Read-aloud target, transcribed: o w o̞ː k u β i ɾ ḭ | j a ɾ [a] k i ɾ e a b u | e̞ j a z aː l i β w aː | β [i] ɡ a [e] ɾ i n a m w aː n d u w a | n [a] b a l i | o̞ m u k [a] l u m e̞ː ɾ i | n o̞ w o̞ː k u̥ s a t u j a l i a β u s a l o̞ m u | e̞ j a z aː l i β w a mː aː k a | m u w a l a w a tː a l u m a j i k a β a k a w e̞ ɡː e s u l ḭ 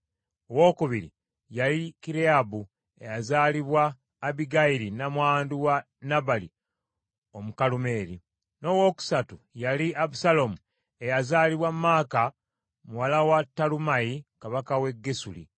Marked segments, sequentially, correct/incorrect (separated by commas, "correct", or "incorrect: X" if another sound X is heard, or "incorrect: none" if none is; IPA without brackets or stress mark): incorrect: i, correct, incorrect: i, correct, correct